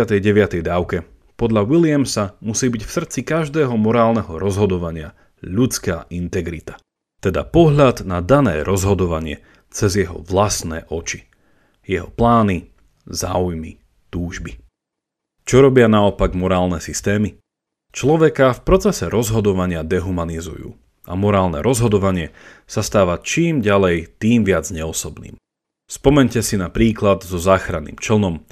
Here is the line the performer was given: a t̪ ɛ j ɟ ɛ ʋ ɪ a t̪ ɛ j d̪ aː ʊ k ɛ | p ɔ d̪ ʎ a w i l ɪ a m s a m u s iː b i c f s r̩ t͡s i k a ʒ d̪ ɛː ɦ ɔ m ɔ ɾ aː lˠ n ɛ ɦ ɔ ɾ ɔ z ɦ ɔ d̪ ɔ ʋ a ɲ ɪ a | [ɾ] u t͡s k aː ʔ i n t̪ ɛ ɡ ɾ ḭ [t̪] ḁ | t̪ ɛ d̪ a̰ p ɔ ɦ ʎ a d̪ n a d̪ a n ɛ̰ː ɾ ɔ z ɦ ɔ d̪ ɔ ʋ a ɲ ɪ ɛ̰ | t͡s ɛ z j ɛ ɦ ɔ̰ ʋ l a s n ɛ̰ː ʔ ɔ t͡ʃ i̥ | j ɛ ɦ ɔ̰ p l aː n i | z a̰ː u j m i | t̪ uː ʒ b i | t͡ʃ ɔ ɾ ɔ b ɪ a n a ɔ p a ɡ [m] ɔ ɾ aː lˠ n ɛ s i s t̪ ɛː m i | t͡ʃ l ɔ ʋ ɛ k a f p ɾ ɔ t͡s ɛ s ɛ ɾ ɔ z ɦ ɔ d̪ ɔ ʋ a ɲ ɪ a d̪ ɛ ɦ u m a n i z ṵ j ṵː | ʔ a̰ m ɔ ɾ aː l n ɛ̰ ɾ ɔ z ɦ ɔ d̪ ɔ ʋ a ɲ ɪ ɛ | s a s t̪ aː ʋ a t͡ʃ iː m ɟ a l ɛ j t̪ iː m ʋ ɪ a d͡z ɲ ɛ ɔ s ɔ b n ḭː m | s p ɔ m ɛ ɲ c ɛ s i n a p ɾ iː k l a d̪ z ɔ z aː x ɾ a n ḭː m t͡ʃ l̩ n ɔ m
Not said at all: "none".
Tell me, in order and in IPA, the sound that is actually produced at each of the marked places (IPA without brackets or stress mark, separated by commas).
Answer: ʎ, t̪, m